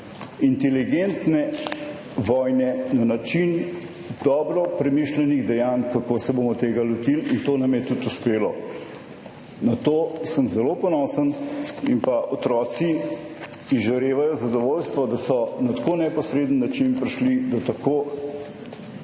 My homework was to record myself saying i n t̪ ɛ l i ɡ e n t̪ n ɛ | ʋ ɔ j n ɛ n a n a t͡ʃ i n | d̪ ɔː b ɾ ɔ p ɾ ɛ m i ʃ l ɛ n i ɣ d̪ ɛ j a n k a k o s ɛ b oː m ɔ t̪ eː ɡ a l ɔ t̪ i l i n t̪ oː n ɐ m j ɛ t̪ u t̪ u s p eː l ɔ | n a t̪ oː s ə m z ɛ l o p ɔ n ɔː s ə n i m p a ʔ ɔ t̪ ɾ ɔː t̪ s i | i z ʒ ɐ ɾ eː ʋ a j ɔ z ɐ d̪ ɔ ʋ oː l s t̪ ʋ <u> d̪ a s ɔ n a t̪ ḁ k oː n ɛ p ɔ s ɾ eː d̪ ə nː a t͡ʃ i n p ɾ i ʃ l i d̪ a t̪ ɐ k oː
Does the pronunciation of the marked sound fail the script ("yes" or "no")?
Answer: yes